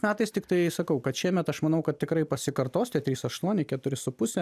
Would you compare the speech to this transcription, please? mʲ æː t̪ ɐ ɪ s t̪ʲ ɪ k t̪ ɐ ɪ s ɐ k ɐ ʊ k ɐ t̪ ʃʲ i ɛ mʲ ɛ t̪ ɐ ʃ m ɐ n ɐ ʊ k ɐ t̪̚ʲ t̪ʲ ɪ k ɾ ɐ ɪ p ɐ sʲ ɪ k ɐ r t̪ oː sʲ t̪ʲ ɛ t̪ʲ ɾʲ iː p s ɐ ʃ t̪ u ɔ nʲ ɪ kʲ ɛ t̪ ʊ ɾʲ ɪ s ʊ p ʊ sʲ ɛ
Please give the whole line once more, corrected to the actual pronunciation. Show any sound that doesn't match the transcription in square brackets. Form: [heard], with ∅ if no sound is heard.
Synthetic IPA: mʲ æː t̪ ɐ ɪ s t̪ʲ ɪ k t̪ ɐ ɪ s ɐ k ɐ ʊ k ɐ t̪ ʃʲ i ɛ mʲ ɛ t̪ ɐ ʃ m ɐ n ɐ ʊ k ɐ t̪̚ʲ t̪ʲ ɪ k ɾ ɐ ɪ p ɐ sʲ ɪ k ɐ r t̪ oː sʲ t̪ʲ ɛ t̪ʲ ɾʲ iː [∅] s ɐ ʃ t̪ u ɔ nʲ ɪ kʲ ɛ t̪ ʊ ɾʲ ɪ s ʊ p ʊ sʲ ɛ